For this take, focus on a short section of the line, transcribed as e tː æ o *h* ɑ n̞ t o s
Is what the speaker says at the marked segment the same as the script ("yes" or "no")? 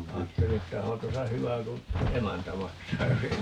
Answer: yes